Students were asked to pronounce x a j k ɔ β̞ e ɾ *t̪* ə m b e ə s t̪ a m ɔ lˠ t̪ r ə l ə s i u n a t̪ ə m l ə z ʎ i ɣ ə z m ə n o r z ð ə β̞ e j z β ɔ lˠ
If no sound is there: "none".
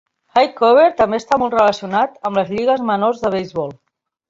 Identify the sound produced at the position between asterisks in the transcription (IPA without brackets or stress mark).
t̪